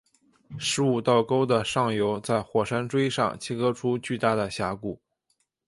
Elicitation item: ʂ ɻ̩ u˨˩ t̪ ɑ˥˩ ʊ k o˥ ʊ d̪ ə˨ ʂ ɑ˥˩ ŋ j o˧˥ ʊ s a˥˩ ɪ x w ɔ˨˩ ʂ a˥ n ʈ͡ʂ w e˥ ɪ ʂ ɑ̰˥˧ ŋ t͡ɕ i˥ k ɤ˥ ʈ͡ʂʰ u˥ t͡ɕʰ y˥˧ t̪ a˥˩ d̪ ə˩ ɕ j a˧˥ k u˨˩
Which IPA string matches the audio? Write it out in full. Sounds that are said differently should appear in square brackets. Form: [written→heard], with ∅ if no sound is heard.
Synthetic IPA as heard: ʂ ɻ̩ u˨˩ t̪ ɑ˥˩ ʊ k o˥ ʊ d̪ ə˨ ʂ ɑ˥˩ ŋ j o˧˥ ʊ [s→t͡s] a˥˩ ɪ x w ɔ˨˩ ʂ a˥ n ʈ͡ʂ w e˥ ɪ ʂ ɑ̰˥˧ ŋ [t͡ɕ→t͡ɕʰ] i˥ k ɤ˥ ʈ͡ʂʰ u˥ [t͡ɕʰ→t͡ɕ] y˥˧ t̪ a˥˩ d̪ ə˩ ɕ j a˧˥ k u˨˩